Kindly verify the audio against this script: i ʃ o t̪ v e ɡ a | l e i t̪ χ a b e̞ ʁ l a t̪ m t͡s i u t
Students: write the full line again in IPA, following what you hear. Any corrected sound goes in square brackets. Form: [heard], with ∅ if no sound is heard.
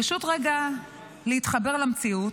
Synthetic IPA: [a] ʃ [u] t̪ [ʁ] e ɡ a | l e i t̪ χ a b e̞ ʁ l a [∅] m t͡s i u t